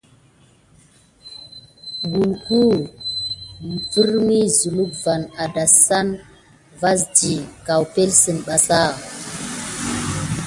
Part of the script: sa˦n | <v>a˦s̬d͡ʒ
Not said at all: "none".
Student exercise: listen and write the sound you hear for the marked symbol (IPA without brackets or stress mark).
v